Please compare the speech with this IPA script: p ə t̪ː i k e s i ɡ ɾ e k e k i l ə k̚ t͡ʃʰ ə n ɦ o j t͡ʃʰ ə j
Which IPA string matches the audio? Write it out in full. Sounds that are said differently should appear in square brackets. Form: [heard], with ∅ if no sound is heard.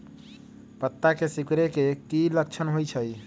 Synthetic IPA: p ə t̪ː [a] k e s i [k] ɾ e k e k i l ə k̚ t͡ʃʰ ə n ɦ o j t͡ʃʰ ə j